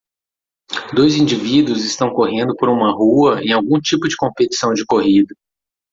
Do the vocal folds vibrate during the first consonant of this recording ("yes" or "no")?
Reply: yes